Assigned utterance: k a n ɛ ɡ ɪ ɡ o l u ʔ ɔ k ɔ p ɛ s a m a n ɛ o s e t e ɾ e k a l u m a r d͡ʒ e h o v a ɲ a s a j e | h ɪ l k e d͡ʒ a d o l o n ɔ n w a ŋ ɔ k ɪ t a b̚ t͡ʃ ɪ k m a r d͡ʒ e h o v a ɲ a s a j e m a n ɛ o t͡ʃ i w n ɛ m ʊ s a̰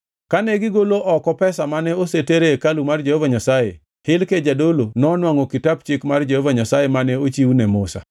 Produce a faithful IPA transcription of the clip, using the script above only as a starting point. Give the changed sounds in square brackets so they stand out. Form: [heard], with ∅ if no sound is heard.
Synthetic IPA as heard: k a n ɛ ɡ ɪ ɡ o l [o] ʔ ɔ k ɔ p ɛ s a m a n ɛ o s e t e ɾ e k a l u m a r d͡ʒ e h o v a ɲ a s a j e | h ɪ l k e d͡ʒ a d o l o n ɔ n w a ŋ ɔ k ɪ t a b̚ t͡ʃ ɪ k m a r d͡ʒ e h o v a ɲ a s a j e m a n ɛ o t͡ʃ i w n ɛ m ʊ s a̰

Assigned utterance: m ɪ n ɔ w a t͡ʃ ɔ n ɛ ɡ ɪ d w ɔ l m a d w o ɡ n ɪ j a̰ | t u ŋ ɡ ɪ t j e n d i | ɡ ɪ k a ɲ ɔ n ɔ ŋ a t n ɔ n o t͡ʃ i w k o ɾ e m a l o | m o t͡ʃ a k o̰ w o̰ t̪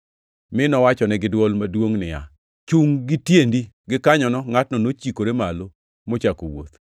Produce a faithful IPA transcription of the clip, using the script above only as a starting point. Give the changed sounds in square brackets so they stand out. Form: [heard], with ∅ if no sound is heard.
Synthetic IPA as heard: m ɪ n ɔ w a t͡ʃ ɔ n ɛ ɡ ɪ d w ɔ l m a d w o [ŋ] n ɪ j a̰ | [t͡ʃ] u ŋ ɡ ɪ t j e n d i | ɡ ɪ k a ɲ ɔ n ɔ ŋ a t n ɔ n o t͡ʃ i [∅] k o ɾ e m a l o | m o t͡ʃ a k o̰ w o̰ t̪

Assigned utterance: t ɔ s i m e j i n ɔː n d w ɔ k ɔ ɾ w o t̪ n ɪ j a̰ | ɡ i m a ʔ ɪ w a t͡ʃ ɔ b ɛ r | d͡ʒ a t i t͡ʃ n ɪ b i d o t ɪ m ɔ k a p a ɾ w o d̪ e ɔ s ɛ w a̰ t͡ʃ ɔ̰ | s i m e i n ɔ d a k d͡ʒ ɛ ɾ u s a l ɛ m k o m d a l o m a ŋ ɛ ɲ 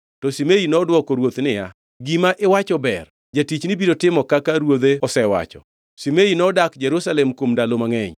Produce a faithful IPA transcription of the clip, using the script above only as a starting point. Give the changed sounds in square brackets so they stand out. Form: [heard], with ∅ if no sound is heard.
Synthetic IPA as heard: t ɔ s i m e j i n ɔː [∅] d w ɔ k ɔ ɾ w o t̪ n ɪ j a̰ | ɡ i m a ʔ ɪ w a t͡ʃ ɔ b ɛ r | d͡ʒ a t i t͡ʃ n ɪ b i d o t ɪ m ɔ k a [k] a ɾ w o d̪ e ɔ s ɛ w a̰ t͡ʃ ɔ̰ | s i m e i n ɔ d a k d͡ʒ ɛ ɾ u s a l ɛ m k o m d a l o m a ŋ ɛ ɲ

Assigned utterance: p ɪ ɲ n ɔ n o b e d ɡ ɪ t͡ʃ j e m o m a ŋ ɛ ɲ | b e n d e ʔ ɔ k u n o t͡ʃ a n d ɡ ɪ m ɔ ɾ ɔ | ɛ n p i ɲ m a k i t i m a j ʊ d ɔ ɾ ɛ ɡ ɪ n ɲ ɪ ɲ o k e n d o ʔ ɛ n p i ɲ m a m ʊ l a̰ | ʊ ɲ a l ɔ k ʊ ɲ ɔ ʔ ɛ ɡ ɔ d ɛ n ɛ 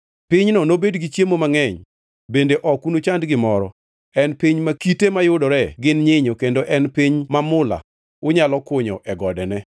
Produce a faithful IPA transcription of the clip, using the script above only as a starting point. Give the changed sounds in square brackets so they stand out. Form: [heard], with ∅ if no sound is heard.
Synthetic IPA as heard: p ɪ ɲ n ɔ n o b e d ɡ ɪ t͡ʃ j e m o m a ŋ ɛ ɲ | b e n d e ʔ ɔ k u n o t͡ʃ a n d ɡ ɪ m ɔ ɾ ɔ | ɛ n p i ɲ m a k i t [e] m a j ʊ d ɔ ɾ ɛ ɡ ɪ n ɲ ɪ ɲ o k e n d o ʔ ɛ n p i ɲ m a m ʊ l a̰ | ʊ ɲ a l ɔ k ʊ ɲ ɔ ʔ ɛ ɡ ɔ d ɛ n ɛ

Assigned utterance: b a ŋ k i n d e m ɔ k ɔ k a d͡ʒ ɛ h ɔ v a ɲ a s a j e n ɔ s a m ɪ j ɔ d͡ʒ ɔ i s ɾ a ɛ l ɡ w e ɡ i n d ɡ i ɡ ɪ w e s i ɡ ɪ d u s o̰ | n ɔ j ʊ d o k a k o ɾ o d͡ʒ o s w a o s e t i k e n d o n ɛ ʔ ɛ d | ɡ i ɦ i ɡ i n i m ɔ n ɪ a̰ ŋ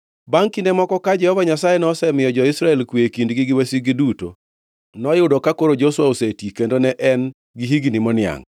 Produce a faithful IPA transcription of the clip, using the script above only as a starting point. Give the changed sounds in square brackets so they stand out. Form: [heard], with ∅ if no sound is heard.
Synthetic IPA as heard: b a ŋ k i n d e m ɔ k ɔ k a d͡ʒ ɛ h ɔ v a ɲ a s a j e n ɔ s [ɛ] m ɪ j ɔ d͡ʒ ɔ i s ɾ a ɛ l [k] w e [k] i n d ɡ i ɡ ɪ w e s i ɡ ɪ d u [t] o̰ | n ɔ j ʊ d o k a k o ɾ o d͡ʒ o s w a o s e t i k e n d o n ɛ ʔ ɛ [n] | ɡ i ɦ i ɡ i n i m ɔ n ɪ a̰ ŋ

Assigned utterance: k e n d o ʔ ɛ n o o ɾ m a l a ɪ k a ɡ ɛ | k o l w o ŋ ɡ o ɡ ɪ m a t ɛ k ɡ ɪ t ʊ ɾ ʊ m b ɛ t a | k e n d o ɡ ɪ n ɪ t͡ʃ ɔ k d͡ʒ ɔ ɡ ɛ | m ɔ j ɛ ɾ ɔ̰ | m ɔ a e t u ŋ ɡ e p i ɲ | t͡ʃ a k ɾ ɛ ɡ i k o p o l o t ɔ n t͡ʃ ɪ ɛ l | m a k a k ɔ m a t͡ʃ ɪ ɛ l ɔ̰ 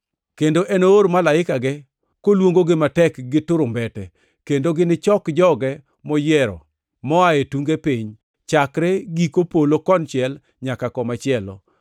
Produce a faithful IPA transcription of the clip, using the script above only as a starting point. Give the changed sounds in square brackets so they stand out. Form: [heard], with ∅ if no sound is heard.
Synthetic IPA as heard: k e n d o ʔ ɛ n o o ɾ m a l a ɪ k a ɡ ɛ | k o l w o ŋ ɡ o ɡ ɪ m a t ɛ k ɡ ɪ t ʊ ɾ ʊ m b ɛ t [ɛ] | k e n d o ɡ ɪ n ɪ t͡ʃ ɔ k d͡ʒ ɔ ɡ ɛ | m ɔ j ɛ ɾ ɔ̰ | m ɔ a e t u ŋ ɡ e p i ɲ | t͡ʃ a k ɾ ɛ ɡ i k o p o l o [k] ɔ n t͡ʃ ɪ ɛ l | [ɲ] a k a k ɔ m a t͡ʃ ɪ ɛ l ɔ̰

